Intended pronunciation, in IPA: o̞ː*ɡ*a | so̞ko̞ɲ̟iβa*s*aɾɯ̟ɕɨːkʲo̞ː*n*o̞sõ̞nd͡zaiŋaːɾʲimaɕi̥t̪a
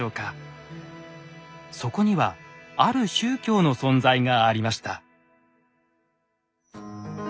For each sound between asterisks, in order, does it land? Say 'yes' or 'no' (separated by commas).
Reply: no, no, yes